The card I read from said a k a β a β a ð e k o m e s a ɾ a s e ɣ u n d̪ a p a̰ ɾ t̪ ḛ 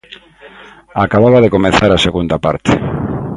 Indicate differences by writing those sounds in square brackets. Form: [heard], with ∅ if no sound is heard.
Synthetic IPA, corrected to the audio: a k a β a β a ð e k o m e [θ] a ɾ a s e ɣ u n d̪ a p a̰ ɾ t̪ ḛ